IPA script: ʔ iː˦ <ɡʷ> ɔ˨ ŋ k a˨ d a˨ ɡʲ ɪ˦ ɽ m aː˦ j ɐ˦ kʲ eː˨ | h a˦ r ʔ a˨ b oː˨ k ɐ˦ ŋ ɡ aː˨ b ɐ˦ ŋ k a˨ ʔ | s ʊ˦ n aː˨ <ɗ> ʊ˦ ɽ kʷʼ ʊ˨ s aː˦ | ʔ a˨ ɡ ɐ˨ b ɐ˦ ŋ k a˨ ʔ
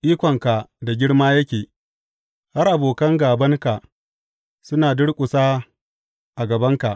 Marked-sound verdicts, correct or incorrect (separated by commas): incorrect, incorrect